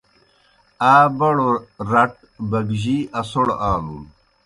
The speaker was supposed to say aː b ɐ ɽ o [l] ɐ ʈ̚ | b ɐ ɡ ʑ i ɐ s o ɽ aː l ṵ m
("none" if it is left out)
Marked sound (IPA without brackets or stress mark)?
ɾ